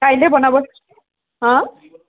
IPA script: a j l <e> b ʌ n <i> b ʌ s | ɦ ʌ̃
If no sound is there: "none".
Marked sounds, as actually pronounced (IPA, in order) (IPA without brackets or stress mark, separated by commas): e, a